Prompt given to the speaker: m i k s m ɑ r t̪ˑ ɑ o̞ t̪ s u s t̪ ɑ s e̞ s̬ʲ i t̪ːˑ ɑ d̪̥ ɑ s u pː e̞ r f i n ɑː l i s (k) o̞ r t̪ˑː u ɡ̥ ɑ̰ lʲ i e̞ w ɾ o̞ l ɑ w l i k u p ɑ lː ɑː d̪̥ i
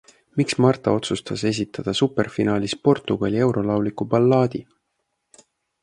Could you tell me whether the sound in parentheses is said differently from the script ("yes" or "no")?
yes